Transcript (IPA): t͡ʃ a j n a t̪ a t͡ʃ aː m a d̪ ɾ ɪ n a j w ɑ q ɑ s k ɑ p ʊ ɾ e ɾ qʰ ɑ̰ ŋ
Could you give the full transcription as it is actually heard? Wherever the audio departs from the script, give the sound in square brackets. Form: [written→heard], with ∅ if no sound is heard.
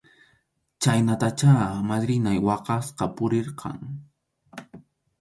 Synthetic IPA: t͡ʃ a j n a t̪ a t͡ʃ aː m a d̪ ɾ ɪ n a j w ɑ q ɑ s [k→q] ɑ p ʊ ɾ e ɾ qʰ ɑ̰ ŋ